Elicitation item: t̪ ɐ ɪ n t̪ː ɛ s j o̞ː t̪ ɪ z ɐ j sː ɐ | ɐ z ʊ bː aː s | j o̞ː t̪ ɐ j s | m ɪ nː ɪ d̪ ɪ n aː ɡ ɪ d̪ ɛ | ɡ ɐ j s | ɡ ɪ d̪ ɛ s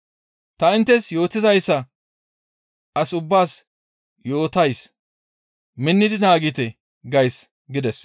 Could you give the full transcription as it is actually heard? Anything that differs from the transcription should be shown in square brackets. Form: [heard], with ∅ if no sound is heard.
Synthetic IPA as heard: t̪ ɐ ɪ n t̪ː ɛ s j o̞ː t̪ ɪ z ɐ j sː ɐ | ɐ [s] ʊ bː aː s | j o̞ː t̪ ɐ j s | m ɪ nː ɪ d̪ ɪ n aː ɡ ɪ [t̪] ɛ | ɡ ɐ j s | ɡ ɪ d̪ ɛ s